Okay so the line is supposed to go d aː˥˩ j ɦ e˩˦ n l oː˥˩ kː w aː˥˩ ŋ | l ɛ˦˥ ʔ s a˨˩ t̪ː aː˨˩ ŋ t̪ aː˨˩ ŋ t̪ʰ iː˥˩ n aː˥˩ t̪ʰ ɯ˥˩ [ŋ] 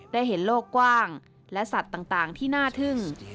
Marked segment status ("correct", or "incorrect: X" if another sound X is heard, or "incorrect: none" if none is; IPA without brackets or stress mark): correct